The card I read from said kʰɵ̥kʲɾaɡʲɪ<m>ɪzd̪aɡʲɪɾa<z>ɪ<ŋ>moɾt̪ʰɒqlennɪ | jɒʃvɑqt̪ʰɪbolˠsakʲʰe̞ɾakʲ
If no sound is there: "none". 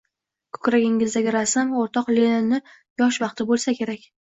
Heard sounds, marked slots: ŋ, s, none

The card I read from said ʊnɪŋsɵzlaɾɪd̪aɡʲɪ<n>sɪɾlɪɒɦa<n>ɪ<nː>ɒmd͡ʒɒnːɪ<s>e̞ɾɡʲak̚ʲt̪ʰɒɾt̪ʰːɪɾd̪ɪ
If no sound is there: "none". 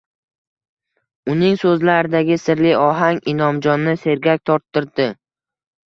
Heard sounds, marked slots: none, ŋ, n, s

